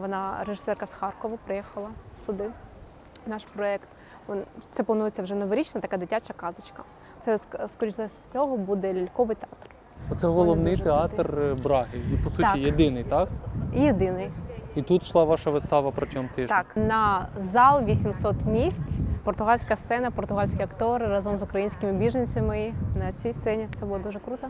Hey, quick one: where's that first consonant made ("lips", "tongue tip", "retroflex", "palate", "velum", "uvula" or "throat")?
lips